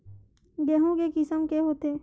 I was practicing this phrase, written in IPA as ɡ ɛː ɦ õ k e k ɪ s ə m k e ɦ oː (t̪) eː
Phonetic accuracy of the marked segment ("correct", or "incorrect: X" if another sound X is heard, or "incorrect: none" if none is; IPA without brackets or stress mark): correct